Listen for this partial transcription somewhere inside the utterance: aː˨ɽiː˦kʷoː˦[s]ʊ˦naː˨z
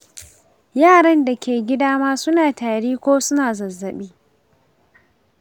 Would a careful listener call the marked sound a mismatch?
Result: no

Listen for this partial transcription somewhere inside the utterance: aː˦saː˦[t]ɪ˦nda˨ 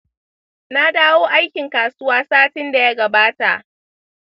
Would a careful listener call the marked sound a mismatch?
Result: no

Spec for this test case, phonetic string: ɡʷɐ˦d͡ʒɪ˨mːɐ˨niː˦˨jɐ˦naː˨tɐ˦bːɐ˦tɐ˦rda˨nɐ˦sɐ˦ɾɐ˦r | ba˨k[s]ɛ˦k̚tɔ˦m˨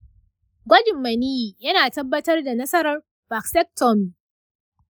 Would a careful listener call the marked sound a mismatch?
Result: no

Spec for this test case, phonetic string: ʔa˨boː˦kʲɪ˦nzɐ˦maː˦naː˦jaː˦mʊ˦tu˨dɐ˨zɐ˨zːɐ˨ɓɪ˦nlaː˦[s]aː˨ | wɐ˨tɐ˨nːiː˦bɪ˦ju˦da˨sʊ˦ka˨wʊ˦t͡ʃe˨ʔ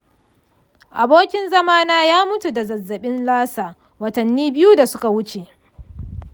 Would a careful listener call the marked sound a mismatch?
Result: no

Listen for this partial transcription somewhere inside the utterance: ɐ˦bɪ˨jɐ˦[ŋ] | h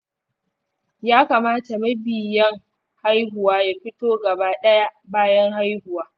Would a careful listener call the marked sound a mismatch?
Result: no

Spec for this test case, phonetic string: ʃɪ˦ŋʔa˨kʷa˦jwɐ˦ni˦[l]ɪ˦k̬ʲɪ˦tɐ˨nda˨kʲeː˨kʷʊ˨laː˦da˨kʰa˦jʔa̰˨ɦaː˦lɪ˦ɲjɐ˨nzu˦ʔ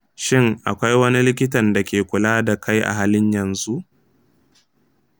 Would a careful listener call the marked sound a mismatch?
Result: no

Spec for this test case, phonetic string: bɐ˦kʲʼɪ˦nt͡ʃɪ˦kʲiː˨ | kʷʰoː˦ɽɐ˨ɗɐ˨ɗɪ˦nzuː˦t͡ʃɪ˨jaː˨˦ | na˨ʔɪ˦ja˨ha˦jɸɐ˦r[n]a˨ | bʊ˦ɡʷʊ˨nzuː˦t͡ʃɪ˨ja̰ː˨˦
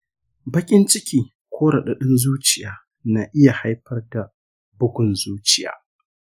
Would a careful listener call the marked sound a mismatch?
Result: yes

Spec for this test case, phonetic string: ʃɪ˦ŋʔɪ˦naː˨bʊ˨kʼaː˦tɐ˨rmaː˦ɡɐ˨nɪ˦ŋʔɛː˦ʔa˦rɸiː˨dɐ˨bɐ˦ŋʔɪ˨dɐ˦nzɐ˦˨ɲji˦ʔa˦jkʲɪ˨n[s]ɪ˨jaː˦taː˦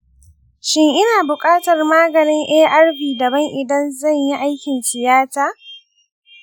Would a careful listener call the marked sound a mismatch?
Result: no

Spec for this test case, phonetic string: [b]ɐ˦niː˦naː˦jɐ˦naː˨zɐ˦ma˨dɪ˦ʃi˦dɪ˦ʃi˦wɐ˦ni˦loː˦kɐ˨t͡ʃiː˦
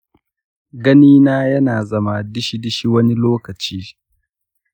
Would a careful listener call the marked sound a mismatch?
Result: yes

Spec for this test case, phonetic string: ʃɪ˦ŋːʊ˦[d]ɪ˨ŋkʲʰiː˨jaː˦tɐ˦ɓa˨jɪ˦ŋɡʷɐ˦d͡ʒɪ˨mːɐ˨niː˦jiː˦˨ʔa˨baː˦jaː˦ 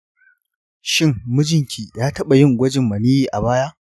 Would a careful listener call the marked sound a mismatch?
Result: yes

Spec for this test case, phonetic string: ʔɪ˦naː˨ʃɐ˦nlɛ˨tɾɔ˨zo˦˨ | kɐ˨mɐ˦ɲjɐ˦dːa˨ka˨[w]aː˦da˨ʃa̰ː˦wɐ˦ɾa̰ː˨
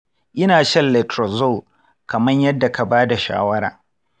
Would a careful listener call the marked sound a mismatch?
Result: yes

